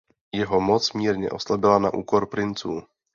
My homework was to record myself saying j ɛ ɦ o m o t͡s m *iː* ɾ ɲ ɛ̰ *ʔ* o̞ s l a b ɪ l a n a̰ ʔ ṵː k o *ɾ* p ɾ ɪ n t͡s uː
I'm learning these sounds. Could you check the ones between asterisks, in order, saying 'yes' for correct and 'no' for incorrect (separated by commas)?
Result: yes, yes, yes